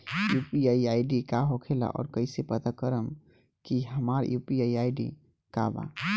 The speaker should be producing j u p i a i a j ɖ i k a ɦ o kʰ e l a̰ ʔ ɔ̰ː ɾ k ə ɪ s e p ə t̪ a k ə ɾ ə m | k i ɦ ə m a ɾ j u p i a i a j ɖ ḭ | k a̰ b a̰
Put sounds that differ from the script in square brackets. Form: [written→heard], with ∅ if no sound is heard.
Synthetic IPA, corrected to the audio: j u p i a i a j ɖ i k a ɦ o kʰ e l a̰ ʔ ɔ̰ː ɾ k ə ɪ s e p ə t̪ a k ə ɾ ə m | k i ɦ ə m a ɾ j u p i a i a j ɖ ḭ | k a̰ b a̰